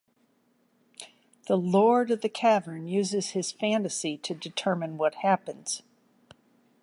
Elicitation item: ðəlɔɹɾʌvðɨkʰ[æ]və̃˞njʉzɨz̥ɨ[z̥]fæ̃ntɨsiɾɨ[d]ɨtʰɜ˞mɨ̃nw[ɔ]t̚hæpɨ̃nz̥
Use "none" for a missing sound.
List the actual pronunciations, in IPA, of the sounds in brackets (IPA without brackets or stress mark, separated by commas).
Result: æ, z̥, d, ʌ